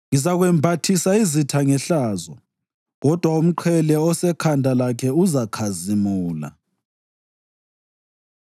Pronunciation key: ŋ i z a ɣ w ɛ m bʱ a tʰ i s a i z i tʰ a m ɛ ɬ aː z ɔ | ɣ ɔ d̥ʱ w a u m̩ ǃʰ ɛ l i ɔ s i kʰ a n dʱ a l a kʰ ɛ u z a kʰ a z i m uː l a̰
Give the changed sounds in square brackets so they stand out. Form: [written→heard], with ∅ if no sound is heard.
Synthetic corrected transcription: ŋ i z a ɣ w ɛ m bʱ a tʰ i s a i z i tʰ a [m→ŋ] ɛ ɬ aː z ɔ | ɣ ɔ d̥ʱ w a u m̩ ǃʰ ɛ l [i→ɛ] ɔ s [i→ɛ] kʰ a n dʱ a l a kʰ ɛ u z a kʰ a z i m uː l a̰